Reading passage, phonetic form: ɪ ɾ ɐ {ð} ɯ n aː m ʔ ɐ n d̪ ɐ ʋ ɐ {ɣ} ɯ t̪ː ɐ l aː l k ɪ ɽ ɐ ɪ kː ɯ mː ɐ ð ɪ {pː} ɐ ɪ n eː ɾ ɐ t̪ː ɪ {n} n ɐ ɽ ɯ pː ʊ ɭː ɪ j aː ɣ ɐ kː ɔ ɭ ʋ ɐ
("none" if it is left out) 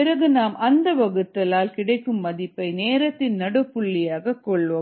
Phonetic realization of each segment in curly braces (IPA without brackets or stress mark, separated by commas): ɣ, ɣ, pː, n